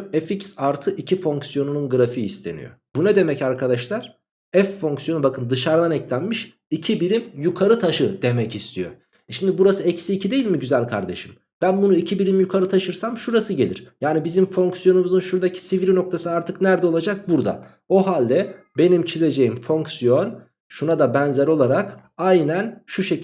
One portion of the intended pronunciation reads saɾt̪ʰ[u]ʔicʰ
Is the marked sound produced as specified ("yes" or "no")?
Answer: no